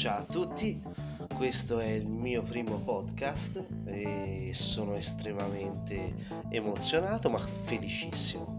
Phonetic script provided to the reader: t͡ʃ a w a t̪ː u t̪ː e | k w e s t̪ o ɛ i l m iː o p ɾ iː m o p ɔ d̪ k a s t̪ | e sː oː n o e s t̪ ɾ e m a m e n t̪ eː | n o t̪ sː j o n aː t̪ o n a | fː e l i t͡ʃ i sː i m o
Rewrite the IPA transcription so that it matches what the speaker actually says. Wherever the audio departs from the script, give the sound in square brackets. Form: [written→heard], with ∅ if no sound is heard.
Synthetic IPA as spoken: t͡ʃ a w a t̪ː u t̪ː [e→i] | k w e s t̪ o ɛ i l m iː o p ɾ iː m o p ɔ d̪ k a s t̪ | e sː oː n o e s t̪ ɾ e m a m e n t̪ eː | [n→m] o t̪ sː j o n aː t̪ o [n→m] a | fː e l i t͡ʃ i sː i m o